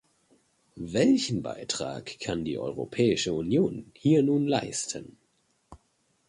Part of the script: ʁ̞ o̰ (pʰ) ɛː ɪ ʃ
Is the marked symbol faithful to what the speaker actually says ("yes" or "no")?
yes